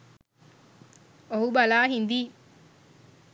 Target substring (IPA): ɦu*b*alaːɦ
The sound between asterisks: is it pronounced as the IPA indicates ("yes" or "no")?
yes